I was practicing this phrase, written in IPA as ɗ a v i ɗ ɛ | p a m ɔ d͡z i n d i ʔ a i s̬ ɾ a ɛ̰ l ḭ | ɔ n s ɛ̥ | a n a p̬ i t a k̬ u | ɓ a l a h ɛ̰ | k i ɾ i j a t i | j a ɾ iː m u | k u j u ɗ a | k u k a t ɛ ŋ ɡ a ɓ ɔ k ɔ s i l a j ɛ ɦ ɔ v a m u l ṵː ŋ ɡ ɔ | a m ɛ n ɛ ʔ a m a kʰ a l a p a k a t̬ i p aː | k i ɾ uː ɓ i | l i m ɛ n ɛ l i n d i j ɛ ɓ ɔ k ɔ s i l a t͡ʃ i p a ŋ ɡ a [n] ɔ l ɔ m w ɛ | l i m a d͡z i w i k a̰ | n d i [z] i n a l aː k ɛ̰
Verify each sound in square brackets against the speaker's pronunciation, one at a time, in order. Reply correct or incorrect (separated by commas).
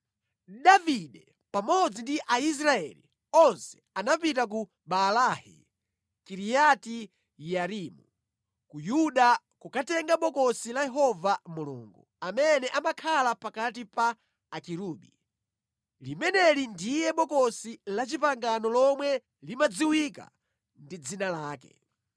correct, incorrect